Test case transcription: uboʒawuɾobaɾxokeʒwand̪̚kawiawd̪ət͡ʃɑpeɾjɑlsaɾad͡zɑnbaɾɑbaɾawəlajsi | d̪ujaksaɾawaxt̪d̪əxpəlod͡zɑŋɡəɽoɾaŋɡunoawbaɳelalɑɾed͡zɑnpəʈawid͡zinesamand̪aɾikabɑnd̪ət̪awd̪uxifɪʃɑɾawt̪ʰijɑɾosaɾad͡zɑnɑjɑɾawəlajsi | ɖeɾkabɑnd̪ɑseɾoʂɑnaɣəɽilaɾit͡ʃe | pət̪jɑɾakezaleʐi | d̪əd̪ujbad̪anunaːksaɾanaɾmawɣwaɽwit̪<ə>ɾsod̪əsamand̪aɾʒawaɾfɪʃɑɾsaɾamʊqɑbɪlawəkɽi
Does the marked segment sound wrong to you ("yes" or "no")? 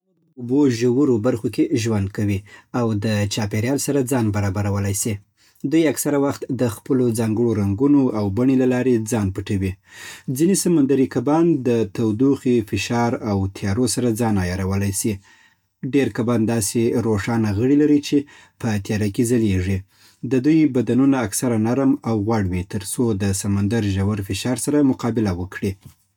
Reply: no